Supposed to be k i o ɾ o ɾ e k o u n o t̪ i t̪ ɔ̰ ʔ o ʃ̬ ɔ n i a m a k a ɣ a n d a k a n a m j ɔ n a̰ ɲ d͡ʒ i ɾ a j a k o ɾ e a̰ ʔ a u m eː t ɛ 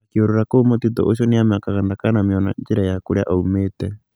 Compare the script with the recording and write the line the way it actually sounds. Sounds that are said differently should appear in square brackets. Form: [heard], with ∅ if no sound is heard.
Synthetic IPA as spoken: k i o ɾ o ɾ [a] k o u [m] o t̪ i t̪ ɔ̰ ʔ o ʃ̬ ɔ n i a m a k a ɣ a n d a k a n a m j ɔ n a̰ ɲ d͡ʒ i ɾ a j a k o ɾ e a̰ ʔ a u m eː t ɛ